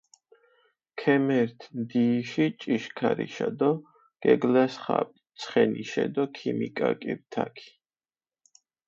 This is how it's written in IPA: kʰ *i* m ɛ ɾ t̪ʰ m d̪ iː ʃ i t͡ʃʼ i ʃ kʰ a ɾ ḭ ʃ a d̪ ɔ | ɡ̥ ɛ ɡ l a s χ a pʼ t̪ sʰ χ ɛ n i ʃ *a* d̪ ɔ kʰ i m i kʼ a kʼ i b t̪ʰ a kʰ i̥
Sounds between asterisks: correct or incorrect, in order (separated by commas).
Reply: incorrect, incorrect